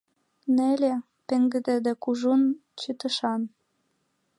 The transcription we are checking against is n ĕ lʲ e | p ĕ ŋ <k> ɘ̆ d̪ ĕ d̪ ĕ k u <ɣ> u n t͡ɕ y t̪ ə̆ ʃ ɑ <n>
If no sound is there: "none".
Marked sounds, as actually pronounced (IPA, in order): ɡ, ʒ, n

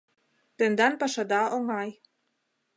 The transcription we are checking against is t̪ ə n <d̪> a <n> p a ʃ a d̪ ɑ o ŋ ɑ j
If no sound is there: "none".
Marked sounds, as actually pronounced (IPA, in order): d̪, n

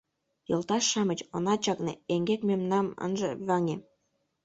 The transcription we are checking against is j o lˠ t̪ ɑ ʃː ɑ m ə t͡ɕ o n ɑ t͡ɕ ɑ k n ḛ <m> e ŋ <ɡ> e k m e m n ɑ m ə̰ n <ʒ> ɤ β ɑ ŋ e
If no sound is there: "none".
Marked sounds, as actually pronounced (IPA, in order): none, ɡ, ʒ

